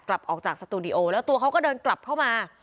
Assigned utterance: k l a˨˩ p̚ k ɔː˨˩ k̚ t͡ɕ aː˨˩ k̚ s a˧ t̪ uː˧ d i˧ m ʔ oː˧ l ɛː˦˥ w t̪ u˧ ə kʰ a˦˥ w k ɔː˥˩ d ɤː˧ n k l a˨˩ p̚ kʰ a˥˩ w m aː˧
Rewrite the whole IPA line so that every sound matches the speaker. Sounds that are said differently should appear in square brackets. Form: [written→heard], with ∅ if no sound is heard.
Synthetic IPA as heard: k l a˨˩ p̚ [k→ʔ] ɔː˨˩ k̚ t͡ɕ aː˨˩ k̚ s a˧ t̪ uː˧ d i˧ [m→∅] ʔ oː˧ l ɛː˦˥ w t̪ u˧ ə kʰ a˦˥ w k ɔː˥˩ d ɤː˧ n k l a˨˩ p̚ kʰ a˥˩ w m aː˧